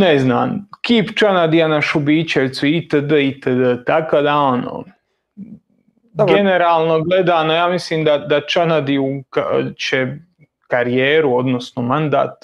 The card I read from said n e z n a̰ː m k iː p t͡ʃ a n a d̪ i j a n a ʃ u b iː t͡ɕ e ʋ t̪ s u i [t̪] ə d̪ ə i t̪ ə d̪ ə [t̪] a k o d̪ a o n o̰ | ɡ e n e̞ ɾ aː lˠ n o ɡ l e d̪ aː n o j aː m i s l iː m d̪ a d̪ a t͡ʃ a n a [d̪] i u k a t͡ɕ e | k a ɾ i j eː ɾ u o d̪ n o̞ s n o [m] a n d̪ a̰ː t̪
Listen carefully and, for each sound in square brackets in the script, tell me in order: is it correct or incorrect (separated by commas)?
correct, correct, correct, correct